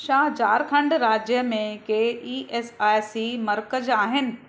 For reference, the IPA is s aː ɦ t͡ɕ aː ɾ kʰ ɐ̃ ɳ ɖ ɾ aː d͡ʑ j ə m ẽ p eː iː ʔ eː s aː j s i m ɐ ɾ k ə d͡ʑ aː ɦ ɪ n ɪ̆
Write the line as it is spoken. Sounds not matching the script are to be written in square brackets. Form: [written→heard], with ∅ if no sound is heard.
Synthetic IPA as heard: [s→ʃ] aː ɦ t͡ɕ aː ɾ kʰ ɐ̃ ɳ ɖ ɾ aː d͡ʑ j ə m ẽ [p→k] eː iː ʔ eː s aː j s i m ɐ ɾ k ə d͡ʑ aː ɦ ɪ n ɪ̆